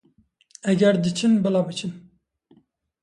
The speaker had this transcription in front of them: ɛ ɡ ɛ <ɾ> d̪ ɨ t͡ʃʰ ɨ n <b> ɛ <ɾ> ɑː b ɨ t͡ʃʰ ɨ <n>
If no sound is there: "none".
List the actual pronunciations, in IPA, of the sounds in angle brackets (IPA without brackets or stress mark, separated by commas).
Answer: ɾ, b, l, n